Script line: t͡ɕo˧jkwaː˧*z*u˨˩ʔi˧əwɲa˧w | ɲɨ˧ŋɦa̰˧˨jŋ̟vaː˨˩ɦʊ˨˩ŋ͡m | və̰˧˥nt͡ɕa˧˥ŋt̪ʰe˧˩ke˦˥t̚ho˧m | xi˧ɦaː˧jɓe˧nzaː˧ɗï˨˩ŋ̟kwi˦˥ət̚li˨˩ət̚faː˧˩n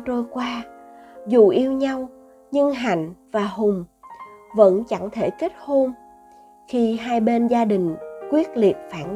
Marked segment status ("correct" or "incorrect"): correct